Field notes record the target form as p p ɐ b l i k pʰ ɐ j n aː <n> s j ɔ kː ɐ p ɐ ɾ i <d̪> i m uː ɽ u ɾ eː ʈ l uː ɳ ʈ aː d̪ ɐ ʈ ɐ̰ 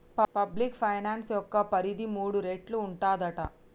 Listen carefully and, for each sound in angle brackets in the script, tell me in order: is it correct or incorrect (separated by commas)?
correct, correct